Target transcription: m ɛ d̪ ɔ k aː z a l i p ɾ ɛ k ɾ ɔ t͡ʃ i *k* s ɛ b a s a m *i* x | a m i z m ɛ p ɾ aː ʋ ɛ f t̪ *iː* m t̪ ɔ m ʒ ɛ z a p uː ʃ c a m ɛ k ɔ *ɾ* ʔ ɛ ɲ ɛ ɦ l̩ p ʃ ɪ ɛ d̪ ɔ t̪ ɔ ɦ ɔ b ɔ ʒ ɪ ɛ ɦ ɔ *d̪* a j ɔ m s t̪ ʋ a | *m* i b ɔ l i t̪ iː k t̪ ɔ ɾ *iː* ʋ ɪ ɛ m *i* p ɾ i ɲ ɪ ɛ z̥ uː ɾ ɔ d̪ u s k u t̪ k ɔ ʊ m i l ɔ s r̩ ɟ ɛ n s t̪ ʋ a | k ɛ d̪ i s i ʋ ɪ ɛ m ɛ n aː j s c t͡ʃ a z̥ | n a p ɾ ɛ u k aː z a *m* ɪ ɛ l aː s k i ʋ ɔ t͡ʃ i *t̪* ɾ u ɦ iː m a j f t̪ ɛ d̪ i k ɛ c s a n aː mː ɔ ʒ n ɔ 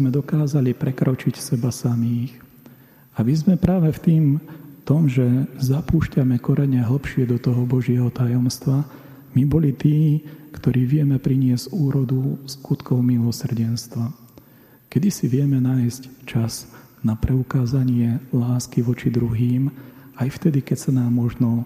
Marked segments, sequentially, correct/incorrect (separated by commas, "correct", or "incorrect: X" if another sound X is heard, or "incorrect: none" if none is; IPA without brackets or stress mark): incorrect: c, incorrect: iː, correct, correct, incorrect: t̪, correct, correct, incorrect: ɛ, incorrect: ɲ, incorrect: d̪